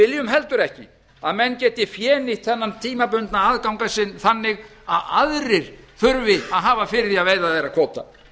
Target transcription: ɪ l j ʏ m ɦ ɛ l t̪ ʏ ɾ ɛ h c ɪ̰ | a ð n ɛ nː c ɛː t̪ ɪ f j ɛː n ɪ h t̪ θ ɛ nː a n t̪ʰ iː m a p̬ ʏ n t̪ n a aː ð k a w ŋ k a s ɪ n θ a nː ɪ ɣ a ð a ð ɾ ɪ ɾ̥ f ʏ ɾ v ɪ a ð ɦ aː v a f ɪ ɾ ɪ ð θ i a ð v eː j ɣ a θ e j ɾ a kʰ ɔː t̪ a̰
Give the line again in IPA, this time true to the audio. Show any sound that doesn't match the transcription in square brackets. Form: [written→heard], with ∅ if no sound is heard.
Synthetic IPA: ɪ l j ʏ m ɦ ɛ l t̪ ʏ ɾ ɛ h c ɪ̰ | a ð [n→m] ɛ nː c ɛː t̪ ɪ f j ɛː n ɪ h t̪ θ ɛ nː a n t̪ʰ iː m a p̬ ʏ n t̪ n a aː ð k a w ŋ k a s ɪ n θ a nː ɪ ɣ a ð a ð ɾ ɪ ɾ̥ [f→θ] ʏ ɾ v ɪ a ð ɦ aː v a f ɪ ɾ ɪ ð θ i a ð v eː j [ɣ→ð] a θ e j ɾ a kʰ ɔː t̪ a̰